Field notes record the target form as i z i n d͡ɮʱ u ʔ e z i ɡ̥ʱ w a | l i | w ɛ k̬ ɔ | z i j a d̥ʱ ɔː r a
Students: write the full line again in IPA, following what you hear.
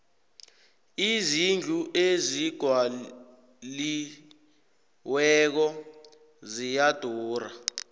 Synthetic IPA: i z i n d͡ɮʱ u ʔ e z i ɡ̥ʱ w a | l i | w ɛ k̬ ɔ | z i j a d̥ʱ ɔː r a